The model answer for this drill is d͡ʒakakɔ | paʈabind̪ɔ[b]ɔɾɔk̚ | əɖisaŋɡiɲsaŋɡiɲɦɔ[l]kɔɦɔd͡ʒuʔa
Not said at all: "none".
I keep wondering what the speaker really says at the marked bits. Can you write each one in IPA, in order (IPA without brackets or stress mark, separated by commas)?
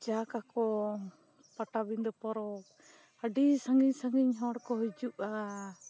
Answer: p, ɽ